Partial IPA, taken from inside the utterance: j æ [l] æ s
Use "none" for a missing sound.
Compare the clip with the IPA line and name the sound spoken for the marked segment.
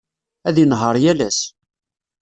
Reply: l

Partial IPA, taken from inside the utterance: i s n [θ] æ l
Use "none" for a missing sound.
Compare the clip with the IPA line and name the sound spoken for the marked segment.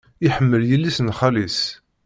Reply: χ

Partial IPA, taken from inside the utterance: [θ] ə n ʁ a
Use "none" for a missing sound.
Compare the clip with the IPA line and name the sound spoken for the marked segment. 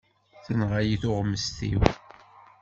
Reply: θ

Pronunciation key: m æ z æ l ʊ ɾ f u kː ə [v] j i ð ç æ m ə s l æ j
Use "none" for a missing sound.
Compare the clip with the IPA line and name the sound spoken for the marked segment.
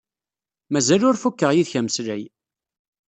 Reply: ʁ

